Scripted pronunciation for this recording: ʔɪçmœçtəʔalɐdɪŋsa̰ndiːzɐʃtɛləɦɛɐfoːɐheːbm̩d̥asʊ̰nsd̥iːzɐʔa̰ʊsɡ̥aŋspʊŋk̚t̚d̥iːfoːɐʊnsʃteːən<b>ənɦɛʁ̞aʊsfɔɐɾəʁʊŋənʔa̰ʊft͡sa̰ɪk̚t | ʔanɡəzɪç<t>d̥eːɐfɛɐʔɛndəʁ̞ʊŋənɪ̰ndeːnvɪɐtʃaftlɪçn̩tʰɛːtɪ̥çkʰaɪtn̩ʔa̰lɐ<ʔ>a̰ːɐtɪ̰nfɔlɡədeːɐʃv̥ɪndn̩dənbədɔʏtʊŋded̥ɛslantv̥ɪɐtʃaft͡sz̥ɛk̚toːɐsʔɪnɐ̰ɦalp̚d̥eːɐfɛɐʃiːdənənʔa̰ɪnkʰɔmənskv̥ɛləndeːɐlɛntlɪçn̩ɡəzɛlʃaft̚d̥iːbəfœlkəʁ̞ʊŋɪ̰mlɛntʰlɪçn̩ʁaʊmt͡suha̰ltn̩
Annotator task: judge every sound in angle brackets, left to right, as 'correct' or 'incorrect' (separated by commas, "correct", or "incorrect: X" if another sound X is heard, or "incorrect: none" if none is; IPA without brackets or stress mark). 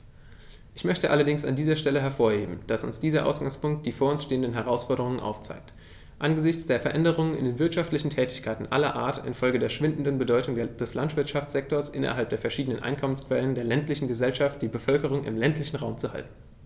incorrect: d, incorrect: t͡s, correct